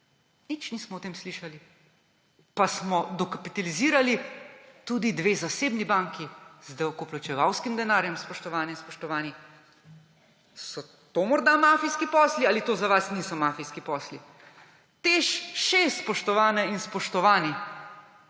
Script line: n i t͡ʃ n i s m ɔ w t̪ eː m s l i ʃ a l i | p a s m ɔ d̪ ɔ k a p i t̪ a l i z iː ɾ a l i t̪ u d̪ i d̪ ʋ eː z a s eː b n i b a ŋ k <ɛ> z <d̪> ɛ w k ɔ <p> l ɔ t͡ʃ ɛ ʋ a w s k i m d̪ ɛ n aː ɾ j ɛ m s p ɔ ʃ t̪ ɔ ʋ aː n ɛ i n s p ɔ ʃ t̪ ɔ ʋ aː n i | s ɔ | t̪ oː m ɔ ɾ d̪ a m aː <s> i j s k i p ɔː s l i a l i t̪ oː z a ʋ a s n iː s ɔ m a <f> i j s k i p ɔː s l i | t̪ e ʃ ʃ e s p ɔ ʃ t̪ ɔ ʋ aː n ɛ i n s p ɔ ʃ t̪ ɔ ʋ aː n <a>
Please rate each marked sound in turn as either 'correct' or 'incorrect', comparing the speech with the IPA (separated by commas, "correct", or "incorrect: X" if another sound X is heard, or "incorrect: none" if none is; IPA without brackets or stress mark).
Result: incorrect: i, correct, correct, incorrect: f, correct, incorrect: i